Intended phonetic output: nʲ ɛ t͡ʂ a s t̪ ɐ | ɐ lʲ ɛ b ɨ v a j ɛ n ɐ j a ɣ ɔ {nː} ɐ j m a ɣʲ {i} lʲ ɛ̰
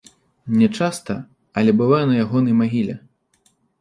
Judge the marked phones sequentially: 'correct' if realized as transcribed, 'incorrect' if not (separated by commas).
incorrect, correct